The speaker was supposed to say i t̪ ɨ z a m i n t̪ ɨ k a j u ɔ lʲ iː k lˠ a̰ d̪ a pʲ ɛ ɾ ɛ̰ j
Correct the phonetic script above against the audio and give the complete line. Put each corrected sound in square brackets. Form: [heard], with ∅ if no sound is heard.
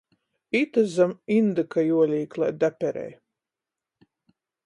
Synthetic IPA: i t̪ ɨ z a m i n [d̪] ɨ k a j u ɔ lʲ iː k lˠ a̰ d̪ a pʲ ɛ ɾ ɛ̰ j